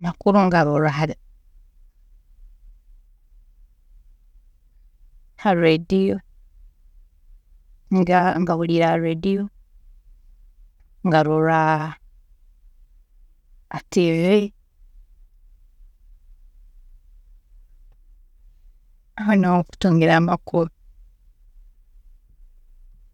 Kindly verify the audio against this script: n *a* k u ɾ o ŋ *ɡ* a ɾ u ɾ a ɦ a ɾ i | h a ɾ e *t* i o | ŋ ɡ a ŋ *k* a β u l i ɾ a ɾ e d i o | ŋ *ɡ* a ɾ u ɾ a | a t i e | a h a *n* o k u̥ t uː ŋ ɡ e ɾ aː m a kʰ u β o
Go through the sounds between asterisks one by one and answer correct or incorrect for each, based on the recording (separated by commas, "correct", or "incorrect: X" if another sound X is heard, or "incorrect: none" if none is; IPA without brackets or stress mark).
correct, correct, incorrect: d, incorrect: ɡ, correct, correct